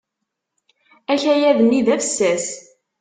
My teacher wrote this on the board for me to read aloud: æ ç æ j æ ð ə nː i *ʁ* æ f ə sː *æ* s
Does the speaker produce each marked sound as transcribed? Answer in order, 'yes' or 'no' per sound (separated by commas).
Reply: no, yes